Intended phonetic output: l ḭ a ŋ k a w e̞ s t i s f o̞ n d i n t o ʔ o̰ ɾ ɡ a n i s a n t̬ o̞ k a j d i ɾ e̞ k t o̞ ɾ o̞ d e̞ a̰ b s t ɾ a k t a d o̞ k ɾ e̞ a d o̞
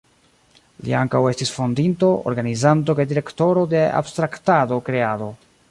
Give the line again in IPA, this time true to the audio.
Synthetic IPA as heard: l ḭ a ŋ k a w e̞ s t i s f o̞ n d i n t o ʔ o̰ ɾ ɡ a n i z a n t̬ o̞ k a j d i ɾ e̞ k t o̞ ɾ o̞ d e̞ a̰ b s t ɾ a k t a d o̞ k ɾ e̞ a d o̞

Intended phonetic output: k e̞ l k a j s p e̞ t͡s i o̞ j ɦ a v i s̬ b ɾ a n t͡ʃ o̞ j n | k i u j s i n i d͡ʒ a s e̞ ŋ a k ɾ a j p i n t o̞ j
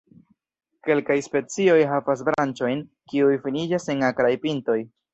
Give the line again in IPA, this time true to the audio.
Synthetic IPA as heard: k e̞ l k a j s p e̞ t͡s i o̞ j ɦ a v a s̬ b ɾ a n t͡ʃ o̞ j n | k i u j f i n i d͡ʒ a s e̞ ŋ a k ɾ a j p i n t o̞ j

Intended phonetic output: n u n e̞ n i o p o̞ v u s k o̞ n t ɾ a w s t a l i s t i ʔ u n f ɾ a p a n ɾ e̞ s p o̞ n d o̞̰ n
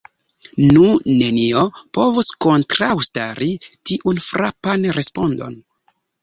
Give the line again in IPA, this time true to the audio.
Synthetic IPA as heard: n u n e̞ n i o p o̞ v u s k o̞ n t ɾ a w s t a ɾ i t i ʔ u n f ɾ a p a n ɾ e̞ s p o̞ n d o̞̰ n

